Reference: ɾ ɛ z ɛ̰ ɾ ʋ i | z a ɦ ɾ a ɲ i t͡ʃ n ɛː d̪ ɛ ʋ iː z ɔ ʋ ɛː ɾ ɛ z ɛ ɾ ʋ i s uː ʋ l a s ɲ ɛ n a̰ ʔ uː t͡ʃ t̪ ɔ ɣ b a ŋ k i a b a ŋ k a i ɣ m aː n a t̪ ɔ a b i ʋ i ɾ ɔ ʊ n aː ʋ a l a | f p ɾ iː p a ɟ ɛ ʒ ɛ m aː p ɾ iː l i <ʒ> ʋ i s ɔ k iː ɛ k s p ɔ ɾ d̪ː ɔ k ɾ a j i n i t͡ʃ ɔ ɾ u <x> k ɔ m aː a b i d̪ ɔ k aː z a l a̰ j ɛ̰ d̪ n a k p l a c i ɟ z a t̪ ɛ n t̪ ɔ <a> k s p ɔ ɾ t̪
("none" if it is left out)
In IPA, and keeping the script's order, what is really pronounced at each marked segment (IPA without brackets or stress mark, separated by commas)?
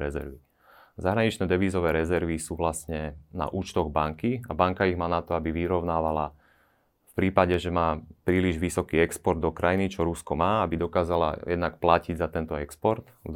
ʒ, s, ɛ